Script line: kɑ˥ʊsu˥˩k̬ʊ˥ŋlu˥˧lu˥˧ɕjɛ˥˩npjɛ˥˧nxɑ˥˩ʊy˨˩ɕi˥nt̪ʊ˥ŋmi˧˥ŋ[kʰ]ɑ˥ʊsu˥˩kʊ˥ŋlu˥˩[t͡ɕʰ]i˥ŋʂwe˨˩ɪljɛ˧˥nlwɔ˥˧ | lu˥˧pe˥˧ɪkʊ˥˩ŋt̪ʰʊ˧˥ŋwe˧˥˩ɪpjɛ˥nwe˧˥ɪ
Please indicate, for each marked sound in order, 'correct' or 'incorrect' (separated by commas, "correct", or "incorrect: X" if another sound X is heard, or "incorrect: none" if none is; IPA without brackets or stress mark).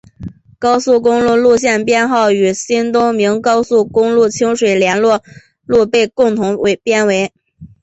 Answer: incorrect: k, correct